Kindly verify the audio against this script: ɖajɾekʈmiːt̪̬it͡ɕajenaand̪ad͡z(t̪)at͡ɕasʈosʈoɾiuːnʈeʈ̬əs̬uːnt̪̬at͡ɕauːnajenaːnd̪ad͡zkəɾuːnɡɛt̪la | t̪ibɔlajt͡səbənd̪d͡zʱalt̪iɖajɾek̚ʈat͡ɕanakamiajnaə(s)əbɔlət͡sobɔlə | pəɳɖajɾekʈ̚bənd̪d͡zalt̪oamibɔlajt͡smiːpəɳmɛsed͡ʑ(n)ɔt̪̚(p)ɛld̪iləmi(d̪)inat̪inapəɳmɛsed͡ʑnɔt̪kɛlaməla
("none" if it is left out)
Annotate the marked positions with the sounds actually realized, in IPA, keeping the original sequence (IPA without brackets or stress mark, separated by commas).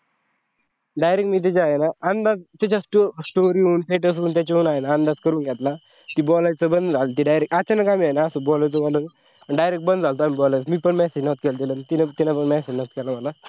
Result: t̪, s, n, k, t̪